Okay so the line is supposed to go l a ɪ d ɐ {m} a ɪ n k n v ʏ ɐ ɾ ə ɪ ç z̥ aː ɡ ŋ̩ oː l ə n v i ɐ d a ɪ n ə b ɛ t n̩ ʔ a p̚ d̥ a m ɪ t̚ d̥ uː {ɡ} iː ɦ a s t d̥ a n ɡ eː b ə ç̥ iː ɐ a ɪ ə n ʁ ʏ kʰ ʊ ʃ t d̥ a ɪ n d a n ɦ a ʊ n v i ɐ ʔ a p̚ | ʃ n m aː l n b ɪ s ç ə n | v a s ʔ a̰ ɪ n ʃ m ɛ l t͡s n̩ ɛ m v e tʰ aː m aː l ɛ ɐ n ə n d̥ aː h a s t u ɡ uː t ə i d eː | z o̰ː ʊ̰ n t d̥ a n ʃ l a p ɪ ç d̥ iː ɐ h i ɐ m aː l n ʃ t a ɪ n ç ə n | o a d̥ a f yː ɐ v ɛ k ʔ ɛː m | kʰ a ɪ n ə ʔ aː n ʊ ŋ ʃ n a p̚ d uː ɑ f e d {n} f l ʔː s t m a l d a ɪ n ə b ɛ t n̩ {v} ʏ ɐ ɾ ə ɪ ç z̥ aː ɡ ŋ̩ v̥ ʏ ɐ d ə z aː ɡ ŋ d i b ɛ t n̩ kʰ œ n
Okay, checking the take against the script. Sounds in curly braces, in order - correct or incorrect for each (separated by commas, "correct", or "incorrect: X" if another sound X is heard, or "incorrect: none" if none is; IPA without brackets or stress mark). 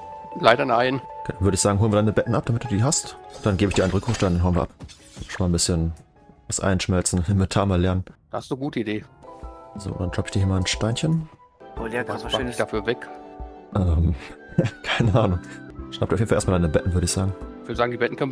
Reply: incorrect: n, incorrect: d, correct, correct